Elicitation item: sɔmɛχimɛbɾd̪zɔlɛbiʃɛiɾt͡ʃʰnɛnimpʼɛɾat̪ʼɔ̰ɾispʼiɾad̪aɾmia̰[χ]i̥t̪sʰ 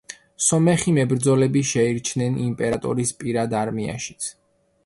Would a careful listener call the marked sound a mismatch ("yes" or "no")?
yes